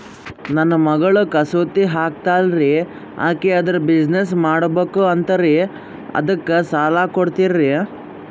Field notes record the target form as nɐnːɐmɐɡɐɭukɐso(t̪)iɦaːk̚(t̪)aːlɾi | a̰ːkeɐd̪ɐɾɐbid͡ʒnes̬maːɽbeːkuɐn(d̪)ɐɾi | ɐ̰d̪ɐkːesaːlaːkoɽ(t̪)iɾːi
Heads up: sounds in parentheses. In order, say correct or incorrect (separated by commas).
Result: correct, correct, incorrect, correct